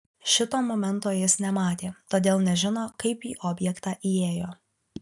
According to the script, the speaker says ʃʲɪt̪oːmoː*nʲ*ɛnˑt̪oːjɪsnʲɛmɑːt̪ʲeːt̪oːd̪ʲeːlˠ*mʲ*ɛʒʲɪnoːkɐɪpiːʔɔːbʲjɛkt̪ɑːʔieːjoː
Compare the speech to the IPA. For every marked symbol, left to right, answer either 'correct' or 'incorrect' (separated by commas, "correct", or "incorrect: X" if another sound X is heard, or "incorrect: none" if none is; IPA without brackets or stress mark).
incorrect: mʲ, incorrect: nʲ